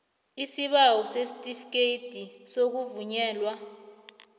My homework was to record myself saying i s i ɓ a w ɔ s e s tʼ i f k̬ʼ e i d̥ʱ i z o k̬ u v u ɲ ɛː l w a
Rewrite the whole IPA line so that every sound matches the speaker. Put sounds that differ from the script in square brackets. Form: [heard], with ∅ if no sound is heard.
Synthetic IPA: i s i ɓ a w ɔ s e s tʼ i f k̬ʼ e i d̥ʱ i [s] o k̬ u v u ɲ ɛː l w a